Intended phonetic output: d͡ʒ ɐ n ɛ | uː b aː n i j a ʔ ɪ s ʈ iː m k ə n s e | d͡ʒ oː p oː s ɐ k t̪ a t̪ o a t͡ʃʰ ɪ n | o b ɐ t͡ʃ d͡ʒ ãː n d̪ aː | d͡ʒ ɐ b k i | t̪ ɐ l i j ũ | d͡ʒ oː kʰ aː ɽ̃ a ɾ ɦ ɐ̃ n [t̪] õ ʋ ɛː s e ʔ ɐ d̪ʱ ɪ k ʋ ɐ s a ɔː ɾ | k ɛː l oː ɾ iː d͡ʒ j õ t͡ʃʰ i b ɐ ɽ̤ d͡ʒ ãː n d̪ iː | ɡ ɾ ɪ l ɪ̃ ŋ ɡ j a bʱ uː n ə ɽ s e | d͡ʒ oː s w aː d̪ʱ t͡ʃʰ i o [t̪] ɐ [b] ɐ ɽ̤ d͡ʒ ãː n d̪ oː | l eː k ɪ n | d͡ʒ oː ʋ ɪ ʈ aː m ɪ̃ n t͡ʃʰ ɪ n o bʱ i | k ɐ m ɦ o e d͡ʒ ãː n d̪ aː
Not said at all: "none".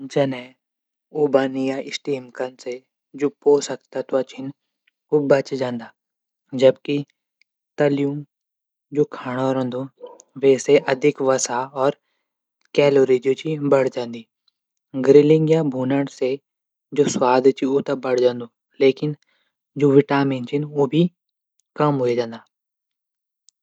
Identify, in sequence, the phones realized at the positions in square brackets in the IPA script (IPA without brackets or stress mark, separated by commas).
d̪, t̪, b